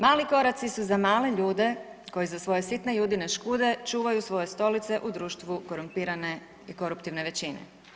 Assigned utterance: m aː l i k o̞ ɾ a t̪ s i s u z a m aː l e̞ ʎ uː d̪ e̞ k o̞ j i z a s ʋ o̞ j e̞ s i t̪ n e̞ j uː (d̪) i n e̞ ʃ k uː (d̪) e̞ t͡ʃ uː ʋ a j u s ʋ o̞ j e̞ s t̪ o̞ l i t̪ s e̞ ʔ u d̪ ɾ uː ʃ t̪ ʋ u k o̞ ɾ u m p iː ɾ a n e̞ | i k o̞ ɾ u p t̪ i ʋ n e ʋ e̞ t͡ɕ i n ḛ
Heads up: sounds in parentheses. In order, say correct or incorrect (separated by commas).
correct, correct